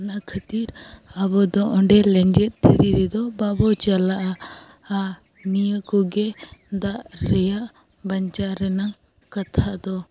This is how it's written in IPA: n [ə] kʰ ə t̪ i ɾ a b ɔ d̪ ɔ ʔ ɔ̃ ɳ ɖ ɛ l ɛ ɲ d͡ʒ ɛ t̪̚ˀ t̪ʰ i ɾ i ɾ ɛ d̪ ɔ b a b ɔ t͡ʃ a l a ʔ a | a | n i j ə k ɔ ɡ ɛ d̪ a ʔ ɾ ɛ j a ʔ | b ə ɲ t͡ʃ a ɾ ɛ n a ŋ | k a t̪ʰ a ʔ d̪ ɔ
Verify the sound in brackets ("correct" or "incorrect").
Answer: incorrect